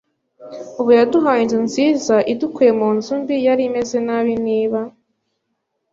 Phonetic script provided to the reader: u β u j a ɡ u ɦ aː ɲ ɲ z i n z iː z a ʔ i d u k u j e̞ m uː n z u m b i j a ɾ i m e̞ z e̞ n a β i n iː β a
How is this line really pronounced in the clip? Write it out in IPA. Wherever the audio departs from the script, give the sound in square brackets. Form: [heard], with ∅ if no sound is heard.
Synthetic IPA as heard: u β u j a [d] u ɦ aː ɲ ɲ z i n z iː z a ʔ i d u k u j e̞ m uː n z u m b i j a ɾ i m e̞ z e̞ n a β i n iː β a